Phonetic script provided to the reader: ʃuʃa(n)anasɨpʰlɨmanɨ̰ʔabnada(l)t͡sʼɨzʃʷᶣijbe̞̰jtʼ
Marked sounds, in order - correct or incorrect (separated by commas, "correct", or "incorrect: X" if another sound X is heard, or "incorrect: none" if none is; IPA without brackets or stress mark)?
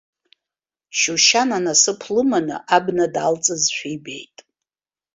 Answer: correct, correct